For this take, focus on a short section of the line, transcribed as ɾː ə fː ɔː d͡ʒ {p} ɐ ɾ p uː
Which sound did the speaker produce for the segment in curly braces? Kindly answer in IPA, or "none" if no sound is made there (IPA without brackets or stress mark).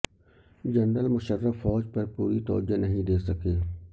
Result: p